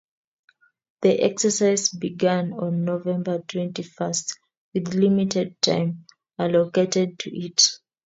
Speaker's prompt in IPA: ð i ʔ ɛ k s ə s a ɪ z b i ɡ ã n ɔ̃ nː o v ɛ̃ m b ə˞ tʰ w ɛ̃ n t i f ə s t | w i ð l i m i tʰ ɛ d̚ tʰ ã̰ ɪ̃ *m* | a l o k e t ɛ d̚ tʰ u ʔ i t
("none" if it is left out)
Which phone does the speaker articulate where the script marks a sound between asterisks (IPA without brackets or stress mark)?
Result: m